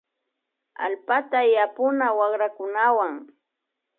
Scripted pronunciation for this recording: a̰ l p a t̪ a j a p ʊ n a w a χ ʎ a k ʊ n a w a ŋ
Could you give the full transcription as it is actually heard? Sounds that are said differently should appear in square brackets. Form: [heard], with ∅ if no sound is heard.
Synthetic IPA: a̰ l p a t̪ a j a p ʊ n a w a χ [ɾ] a k ʊ n a w a ŋ